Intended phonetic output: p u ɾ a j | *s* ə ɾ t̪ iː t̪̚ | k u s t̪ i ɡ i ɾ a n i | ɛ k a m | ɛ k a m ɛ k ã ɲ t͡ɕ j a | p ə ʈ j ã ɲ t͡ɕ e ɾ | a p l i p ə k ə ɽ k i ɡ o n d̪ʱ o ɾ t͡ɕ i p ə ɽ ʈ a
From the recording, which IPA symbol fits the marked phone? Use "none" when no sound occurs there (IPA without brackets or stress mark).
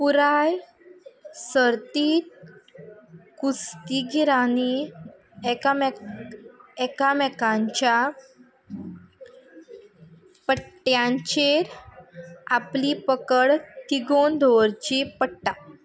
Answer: s